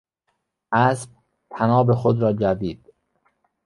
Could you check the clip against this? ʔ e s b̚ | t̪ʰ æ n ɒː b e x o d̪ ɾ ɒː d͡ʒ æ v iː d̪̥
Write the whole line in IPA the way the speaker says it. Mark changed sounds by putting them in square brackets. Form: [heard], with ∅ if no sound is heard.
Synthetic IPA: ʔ [æ] s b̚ | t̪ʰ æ n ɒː b e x o d̪ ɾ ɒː d͡ʒ æ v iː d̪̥